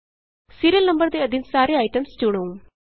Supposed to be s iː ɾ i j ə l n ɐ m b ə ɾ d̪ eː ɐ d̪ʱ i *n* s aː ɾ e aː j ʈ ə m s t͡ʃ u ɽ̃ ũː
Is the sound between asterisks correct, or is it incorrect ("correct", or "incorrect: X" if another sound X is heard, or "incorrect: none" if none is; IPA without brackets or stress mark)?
correct